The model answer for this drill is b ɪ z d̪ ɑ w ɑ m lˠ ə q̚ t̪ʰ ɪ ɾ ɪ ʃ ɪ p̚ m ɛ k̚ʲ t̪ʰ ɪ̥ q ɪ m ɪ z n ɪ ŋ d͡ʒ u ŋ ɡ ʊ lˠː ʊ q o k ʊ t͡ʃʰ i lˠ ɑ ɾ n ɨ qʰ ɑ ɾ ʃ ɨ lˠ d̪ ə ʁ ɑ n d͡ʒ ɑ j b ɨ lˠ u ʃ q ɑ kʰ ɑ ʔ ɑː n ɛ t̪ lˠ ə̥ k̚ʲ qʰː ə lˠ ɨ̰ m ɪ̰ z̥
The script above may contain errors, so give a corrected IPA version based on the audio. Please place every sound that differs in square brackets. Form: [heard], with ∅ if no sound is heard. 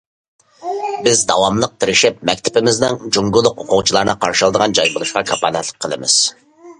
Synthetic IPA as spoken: b ɪ z d̪ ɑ w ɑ m lˠ ə q̚ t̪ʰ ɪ ɾ ɪ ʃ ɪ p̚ m ɛ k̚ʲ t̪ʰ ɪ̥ [p] ɪ m ɪ z n ɪ ŋ d͡ʒ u ŋ ɡ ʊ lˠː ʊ q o [q] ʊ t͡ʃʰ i lˠ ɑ ɾ n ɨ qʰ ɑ ɾ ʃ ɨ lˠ d̪ ə ʁ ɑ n d͡ʒ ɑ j b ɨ lˠ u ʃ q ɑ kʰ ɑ [p] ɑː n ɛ t̪ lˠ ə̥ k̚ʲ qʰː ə lˠ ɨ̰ m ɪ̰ z̥